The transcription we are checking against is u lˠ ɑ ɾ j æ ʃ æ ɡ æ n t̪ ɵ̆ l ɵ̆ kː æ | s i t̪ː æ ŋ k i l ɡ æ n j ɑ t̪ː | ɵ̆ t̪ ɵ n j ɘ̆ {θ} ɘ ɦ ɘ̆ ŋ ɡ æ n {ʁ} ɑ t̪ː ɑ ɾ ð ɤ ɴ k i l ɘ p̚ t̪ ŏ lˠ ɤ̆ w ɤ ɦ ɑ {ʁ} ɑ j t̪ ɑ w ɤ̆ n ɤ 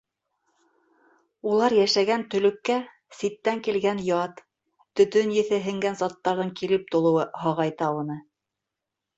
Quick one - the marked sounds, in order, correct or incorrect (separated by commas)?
correct, incorrect, correct